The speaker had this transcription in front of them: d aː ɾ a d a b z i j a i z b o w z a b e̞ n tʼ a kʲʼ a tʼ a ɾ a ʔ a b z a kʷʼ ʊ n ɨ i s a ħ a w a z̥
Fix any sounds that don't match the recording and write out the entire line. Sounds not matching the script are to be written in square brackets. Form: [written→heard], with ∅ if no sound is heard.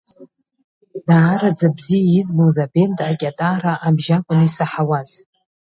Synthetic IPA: d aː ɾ a [d→d͡z] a b z i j a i z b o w z a b e̞ n tʼ a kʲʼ a tʼ a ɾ a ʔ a b [z→ʒ] a kʷʼ ʊ n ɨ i s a ħ a w a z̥